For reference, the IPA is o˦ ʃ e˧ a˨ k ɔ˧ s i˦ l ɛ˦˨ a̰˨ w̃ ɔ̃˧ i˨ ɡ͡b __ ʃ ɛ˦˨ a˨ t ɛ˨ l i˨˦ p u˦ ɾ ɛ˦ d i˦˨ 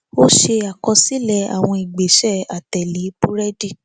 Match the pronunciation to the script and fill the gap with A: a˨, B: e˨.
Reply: B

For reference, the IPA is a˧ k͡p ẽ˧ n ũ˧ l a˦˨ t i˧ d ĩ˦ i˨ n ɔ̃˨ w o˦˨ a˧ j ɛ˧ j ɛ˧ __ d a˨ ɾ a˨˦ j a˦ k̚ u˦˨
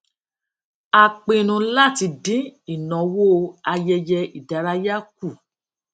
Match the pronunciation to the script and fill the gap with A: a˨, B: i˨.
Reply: B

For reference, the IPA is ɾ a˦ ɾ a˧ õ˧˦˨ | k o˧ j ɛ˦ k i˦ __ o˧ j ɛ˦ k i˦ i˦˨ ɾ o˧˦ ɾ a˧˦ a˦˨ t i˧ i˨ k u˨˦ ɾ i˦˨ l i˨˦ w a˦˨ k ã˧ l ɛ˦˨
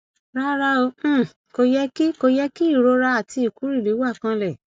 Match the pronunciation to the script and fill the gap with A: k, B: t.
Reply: A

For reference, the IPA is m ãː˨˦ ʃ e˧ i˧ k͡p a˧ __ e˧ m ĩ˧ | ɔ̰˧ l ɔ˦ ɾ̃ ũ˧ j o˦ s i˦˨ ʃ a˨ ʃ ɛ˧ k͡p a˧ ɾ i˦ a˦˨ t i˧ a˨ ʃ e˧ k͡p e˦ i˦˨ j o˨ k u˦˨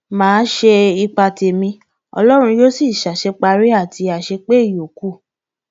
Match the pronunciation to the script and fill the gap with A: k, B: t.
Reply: B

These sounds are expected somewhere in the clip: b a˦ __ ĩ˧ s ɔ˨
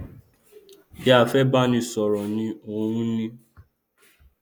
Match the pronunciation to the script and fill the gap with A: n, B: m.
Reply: A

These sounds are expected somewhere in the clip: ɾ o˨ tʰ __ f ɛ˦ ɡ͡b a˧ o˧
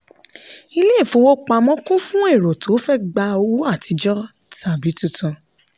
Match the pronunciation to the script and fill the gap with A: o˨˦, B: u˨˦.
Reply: A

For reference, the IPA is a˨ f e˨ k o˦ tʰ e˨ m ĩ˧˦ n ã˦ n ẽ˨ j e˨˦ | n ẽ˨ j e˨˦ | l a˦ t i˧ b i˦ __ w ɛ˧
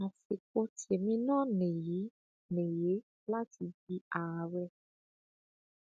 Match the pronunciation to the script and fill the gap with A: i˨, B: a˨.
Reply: B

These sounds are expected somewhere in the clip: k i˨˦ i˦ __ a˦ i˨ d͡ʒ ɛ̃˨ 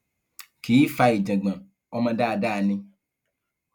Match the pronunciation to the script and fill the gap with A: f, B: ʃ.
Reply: A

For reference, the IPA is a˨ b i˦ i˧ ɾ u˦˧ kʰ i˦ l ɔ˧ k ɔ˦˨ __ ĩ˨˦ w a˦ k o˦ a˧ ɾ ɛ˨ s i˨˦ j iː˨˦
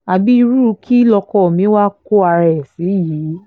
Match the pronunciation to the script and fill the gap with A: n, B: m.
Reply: B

